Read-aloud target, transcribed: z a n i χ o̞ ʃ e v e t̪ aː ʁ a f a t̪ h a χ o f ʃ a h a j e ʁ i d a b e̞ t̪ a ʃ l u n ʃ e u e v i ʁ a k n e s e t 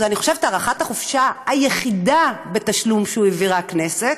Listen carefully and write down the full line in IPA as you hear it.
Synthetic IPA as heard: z a n i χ o̞ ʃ e v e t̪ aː ʁ a χ a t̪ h a χ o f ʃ a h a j e χ i d a b e̞ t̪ a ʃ l u m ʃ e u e v i ʁ a k n e s e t